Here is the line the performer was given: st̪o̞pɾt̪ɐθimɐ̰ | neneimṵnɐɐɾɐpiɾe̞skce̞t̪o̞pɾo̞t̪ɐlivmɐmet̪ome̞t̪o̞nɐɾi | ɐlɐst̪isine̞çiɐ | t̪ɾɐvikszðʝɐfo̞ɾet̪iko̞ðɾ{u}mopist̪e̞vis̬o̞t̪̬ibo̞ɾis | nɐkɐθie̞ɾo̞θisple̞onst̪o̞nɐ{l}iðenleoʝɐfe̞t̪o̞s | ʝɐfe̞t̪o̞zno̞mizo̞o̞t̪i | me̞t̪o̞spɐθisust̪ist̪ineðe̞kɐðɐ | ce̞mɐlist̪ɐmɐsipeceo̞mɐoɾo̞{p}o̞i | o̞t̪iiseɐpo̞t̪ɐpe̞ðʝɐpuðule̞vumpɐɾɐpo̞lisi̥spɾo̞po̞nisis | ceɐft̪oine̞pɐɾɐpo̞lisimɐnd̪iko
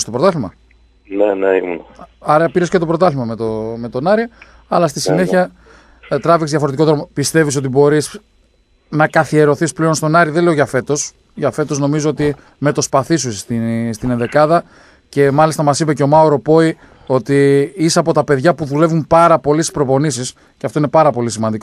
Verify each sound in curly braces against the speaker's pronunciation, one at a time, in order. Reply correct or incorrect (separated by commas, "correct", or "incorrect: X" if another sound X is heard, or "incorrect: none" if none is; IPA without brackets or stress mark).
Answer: incorrect: o, incorrect: ɾ, correct